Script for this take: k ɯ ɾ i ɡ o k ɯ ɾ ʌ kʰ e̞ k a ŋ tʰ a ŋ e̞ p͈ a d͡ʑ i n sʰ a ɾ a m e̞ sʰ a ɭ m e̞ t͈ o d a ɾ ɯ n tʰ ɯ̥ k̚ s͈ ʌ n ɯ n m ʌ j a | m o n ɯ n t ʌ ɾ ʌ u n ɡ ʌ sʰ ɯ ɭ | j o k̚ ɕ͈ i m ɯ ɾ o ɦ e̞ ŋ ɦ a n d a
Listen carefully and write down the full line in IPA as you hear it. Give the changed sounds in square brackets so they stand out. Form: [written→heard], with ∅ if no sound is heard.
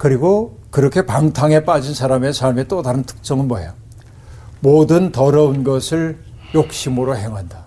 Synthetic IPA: k ɯ ɾ i ɡ o k ɯ ɾ ʌ kʰ e̞ [k→p] a ŋ tʰ a ŋ e̞ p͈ a d͡ʑ i n sʰ a ɾ a m e̞ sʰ a ɭ m e̞ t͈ o d a ɾ ɯ n tʰ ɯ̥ k̚ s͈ ʌ [n→ŋ] ɯ n m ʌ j a | m o [n→d] ɯ n t ʌ ɾ ʌ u n ɡ ʌ sʰ ɯ ɭ | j o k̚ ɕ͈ i m ɯ ɾ o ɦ e̞ ŋ ɦ a n d a